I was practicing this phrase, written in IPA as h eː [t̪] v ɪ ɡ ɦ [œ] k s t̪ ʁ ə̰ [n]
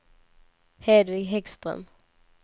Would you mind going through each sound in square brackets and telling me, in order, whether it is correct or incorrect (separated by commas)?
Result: incorrect, incorrect, incorrect